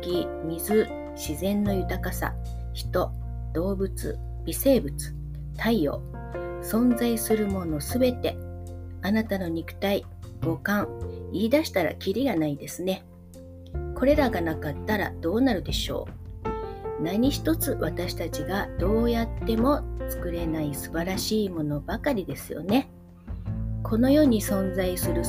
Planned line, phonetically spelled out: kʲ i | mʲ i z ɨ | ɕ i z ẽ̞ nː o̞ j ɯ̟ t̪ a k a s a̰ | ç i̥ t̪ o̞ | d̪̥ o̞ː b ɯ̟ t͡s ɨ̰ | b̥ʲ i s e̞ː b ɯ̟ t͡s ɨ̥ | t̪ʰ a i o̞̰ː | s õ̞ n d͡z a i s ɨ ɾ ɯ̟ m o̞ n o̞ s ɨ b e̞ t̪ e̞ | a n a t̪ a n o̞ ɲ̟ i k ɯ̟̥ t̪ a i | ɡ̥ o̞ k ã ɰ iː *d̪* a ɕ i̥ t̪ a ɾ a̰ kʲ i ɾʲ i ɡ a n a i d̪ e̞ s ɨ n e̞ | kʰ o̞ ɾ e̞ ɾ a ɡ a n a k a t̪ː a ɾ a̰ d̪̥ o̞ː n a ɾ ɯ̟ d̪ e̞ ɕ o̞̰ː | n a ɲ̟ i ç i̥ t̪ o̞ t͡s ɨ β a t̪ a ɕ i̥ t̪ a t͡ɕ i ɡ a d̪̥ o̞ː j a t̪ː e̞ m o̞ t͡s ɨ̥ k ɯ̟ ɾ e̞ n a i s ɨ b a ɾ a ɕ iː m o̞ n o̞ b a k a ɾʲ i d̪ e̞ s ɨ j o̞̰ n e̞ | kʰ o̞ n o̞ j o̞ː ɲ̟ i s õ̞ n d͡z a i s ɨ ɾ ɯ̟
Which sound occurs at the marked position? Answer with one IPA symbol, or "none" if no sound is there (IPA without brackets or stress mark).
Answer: d̪